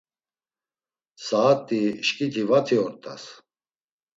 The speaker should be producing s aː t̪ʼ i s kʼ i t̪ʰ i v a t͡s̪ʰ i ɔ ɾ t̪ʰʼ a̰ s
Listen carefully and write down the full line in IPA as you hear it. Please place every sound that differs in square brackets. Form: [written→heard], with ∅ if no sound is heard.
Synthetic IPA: s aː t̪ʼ i [s→ʃ] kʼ i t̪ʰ i v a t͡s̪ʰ i ɔ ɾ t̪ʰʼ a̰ s